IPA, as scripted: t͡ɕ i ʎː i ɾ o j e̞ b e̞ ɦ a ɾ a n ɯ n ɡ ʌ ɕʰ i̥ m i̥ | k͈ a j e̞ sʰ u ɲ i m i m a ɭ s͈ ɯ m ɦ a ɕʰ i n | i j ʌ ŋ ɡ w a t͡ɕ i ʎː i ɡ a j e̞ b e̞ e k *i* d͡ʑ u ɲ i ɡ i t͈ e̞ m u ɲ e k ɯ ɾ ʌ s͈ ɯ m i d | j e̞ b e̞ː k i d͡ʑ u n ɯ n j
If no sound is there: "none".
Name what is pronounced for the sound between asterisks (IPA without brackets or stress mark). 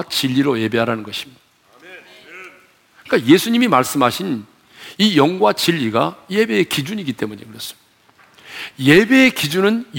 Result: i